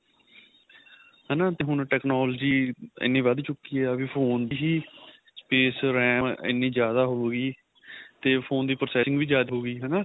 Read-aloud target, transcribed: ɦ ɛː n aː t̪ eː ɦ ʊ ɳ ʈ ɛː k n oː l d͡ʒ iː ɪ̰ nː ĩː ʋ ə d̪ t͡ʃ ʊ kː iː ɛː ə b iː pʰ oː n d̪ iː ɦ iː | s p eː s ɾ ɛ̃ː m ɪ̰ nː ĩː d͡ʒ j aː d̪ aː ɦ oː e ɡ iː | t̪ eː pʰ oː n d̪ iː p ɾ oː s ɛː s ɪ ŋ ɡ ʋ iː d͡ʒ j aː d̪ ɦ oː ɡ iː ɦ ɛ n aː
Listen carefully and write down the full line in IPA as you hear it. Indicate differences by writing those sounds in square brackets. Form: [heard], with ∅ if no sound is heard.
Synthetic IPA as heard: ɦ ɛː n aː t̪ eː ɦ ʊ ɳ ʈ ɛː k n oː l d͡ʒ iː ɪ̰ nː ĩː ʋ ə d̪ t͡ʃ ʊ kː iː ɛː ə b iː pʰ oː n d̪ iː ɦ iː | s p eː s ɾ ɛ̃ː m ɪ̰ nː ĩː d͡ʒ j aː d̪ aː ɦ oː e ɡ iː | t̪ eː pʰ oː n d̪ iː p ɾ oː s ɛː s ɪ ŋ ɡ ʋ iː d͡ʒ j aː d̪ ɦ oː ɡ iː ɦ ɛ n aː